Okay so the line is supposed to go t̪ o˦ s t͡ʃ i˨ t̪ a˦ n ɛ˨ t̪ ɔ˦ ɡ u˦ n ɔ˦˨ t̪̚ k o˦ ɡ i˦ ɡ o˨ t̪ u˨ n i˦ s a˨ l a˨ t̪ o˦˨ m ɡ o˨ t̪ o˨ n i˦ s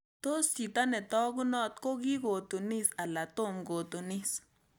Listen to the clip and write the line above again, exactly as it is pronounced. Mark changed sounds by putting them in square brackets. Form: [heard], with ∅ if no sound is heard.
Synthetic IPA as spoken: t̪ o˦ s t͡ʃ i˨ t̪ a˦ n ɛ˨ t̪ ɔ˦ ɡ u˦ n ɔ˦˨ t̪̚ k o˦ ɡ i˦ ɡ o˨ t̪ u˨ n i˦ s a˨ l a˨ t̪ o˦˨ m ɡ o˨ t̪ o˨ n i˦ s